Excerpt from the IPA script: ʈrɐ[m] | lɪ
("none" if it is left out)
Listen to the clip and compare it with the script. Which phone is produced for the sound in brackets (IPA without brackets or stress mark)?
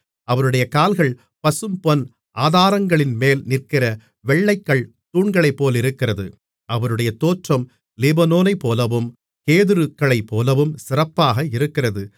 m